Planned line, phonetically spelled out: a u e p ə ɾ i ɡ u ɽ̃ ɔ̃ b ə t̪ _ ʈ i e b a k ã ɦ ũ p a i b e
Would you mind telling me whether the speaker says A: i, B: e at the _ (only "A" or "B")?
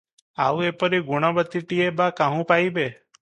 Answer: A